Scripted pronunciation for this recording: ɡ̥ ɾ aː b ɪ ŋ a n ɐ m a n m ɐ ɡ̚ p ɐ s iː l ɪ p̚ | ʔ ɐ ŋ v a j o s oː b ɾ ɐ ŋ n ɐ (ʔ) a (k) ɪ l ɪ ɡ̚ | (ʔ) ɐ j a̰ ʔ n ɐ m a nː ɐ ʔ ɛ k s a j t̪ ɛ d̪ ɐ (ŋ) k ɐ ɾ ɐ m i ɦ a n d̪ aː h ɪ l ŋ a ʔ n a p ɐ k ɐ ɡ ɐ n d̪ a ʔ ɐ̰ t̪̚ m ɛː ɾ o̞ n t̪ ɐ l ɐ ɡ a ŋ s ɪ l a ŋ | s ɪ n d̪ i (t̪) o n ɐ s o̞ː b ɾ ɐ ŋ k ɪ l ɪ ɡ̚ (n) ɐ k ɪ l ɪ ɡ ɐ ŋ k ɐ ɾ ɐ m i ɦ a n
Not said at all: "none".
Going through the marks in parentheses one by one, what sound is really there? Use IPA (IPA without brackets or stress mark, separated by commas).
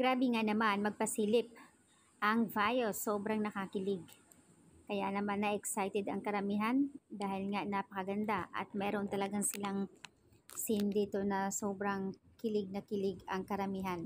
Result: k, k, k, ŋ, t̪, n